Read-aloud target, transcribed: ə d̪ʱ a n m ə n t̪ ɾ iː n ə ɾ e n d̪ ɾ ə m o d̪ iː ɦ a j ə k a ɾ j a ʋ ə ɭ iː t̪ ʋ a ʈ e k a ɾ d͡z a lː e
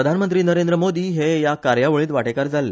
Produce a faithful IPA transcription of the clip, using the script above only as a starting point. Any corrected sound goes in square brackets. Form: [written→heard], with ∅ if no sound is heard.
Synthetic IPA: ə d̪ʱ a n m ə n t̪ ɾ iː n ə ɾ e n d̪ ɾ ə m o d̪ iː ɦ [a→e] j [ə→a] k a ɾ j a ʋ ə ɭ iː t̪ ʋ a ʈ e k a ɾ d͡z a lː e

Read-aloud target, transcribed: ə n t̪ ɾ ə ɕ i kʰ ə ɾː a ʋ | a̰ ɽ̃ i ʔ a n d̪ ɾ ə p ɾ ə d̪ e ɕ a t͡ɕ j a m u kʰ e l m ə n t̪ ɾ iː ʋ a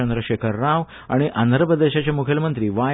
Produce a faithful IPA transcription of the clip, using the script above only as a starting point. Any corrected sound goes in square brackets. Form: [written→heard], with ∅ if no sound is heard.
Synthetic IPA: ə n [t̪→d̪] ɾ ə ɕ [i→e] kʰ ə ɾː a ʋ | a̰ ɽ̃ i ʔ a n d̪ ɾ ə p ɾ ə d̪ e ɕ a t͡ɕ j a m u kʰ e l m ə n t̪ ɾ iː ʋ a

